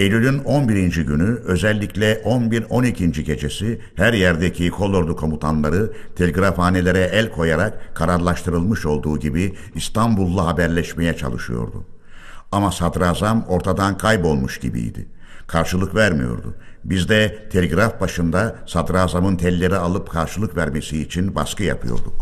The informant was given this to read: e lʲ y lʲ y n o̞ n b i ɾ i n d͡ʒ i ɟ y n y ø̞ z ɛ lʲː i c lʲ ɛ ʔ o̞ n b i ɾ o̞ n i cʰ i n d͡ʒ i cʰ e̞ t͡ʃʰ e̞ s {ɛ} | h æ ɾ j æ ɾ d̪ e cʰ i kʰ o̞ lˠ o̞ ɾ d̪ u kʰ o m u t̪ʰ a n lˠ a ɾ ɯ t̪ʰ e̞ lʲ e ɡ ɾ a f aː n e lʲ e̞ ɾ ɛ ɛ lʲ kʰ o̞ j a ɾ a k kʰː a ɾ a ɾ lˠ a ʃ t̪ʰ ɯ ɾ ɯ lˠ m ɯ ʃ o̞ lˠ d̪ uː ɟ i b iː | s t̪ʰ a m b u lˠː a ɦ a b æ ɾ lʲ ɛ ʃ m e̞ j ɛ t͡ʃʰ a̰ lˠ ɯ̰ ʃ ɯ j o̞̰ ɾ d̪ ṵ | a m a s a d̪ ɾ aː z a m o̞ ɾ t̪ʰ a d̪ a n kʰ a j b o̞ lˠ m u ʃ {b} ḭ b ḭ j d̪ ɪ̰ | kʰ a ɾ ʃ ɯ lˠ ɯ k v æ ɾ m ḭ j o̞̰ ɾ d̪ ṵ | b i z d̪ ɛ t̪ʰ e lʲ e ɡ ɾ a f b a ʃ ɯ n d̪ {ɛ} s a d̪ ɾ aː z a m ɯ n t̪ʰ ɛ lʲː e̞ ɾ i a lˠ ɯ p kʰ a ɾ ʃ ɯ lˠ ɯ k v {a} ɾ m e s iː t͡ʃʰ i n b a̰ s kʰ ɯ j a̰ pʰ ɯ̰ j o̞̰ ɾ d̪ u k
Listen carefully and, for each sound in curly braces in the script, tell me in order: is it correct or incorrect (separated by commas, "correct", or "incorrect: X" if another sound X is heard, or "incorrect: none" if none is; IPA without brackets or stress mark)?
incorrect: i, incorrect: ɟ, incorrect: a, incorrect: æ